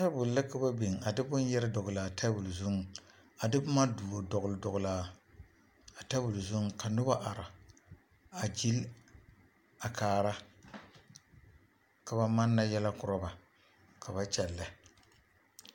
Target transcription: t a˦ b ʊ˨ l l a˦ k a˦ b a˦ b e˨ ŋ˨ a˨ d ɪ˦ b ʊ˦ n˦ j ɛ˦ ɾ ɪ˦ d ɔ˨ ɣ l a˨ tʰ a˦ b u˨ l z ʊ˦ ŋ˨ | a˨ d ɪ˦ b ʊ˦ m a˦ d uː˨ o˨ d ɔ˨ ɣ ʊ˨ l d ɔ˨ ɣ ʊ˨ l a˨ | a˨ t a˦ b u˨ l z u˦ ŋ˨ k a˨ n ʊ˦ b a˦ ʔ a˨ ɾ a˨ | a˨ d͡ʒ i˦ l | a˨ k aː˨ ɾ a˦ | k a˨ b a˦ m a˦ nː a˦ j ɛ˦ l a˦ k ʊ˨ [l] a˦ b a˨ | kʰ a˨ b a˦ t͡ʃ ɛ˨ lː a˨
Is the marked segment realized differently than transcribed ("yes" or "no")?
yes